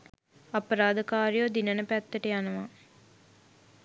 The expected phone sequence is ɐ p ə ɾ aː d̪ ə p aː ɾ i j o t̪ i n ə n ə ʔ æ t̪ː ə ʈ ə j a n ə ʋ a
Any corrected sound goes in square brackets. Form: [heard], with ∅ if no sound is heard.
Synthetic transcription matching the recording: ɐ p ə ɾ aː d̪ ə [k] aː ɾ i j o [d̪] i n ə n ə [p] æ t̪ː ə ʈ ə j a n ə ʋ a